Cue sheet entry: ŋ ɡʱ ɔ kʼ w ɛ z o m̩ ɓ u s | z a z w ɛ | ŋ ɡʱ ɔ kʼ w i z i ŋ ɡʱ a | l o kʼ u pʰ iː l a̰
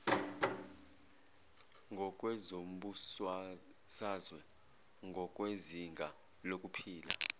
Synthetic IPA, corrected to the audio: ŋ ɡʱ ɔ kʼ w ɛ z o m̩ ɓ u s | s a z w ɛ | ŋ ɡʱ ɔ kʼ w e z i ŋ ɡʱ a | l o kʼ u pʰ iː l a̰